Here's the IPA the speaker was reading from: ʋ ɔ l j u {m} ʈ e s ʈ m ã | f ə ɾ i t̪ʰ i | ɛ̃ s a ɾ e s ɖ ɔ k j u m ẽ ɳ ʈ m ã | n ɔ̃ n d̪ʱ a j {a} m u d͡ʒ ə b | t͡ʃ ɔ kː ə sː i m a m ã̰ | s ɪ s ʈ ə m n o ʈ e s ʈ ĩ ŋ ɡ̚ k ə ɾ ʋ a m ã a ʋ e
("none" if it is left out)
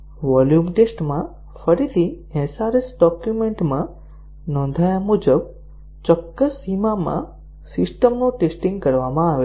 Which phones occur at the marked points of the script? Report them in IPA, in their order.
m, a

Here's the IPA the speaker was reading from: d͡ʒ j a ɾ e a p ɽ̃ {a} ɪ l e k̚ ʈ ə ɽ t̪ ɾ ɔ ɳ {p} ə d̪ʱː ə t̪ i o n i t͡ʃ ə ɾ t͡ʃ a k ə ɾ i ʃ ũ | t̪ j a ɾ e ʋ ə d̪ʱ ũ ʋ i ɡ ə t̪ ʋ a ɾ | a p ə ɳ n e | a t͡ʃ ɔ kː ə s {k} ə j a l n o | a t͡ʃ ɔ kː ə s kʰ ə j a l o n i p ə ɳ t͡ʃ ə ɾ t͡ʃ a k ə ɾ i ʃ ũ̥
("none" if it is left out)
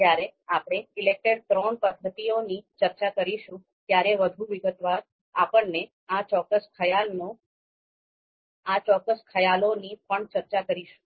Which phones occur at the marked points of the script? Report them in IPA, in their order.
e, p, kʰ

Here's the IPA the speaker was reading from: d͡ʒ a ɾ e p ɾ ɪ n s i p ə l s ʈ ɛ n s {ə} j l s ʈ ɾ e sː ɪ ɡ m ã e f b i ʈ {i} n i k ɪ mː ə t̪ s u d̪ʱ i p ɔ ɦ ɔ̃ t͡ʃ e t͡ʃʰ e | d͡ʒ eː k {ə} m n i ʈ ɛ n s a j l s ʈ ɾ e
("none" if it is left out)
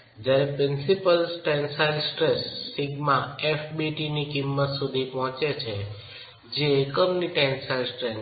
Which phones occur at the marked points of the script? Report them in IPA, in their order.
a, i, ə

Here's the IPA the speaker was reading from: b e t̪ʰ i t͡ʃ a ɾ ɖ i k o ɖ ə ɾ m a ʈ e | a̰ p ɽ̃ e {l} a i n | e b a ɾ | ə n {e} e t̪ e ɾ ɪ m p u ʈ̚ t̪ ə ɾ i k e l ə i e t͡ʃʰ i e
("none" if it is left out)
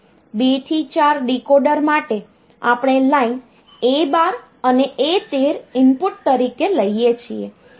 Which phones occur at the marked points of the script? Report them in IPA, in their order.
l, e

